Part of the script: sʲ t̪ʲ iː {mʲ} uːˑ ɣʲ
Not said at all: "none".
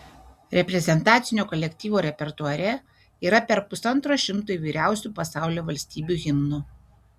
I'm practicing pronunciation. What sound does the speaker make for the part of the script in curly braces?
bʲ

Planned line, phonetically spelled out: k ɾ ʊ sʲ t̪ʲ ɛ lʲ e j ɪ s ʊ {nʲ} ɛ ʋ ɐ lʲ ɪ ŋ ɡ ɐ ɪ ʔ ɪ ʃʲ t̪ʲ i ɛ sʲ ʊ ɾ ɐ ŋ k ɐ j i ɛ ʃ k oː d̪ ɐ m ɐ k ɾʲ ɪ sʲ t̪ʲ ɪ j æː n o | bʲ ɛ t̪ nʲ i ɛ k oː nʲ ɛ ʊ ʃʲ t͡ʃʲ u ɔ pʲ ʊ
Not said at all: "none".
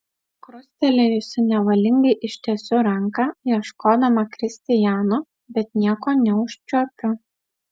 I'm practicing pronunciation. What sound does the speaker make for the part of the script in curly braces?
nʲ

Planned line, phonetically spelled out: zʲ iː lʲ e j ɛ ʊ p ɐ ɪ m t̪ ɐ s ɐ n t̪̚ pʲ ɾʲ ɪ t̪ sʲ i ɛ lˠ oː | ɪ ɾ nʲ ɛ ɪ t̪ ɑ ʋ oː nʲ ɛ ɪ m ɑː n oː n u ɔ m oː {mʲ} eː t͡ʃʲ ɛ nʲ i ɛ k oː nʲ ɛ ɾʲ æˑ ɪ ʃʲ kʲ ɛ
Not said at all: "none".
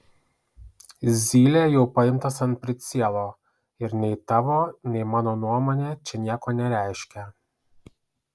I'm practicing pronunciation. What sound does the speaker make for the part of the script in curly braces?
nʲ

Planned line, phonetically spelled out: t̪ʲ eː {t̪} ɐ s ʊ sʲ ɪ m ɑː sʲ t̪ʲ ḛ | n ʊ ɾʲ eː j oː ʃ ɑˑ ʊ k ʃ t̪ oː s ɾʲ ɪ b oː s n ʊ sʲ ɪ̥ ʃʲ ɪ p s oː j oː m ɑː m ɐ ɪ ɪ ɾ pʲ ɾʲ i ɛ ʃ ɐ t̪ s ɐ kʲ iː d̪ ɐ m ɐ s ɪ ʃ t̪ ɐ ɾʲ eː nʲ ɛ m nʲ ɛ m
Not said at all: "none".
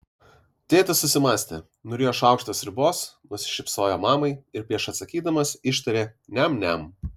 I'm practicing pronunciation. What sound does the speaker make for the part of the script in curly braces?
t̪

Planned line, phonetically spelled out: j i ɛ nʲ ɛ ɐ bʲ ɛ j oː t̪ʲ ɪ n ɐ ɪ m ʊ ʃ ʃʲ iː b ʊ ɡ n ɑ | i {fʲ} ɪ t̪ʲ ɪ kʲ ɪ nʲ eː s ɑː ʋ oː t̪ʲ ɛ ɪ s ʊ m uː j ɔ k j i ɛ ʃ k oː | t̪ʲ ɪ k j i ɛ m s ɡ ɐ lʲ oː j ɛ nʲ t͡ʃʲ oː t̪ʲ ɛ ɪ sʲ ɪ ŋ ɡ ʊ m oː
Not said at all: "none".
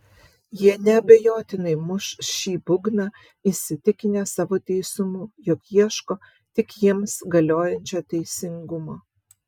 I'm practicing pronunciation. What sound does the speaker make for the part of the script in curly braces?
sʲ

